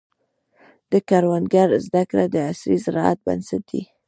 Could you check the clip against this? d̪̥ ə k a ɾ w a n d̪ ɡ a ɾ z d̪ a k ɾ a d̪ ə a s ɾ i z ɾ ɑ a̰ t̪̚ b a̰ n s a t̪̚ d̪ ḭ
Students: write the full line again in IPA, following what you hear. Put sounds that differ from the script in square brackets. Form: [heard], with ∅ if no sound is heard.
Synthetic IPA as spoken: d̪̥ ə k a ɾ w a n d̪ ɡ a ɾ z d̪ a k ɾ a d̪ ə a s ɾ i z ɾ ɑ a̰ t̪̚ b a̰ n s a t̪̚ d̪ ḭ